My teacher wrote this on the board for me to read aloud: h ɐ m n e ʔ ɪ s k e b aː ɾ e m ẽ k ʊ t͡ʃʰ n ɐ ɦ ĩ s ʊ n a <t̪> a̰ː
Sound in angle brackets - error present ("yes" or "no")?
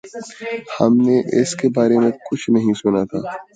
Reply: yes